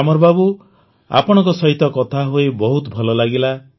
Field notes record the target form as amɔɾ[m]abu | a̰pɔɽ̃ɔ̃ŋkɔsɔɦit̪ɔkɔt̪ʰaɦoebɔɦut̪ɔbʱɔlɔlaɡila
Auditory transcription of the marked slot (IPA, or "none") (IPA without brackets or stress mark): b